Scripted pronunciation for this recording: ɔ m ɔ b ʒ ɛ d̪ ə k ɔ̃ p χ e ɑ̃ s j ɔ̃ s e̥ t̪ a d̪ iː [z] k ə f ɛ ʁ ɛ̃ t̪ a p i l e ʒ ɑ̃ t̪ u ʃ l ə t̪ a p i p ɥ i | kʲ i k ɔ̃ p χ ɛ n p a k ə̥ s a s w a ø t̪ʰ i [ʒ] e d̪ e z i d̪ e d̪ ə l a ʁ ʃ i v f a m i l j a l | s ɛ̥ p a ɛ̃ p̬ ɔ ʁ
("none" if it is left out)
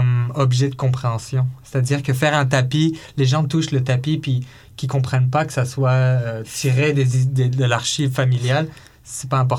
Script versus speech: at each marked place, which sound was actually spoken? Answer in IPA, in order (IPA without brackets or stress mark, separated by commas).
ʁ, ʁ